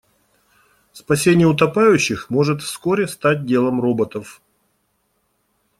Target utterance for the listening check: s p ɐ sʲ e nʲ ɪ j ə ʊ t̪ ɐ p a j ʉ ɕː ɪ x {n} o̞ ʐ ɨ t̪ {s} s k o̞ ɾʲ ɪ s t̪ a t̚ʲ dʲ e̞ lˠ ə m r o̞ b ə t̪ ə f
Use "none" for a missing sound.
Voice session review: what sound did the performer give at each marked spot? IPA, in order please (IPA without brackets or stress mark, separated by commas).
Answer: m, f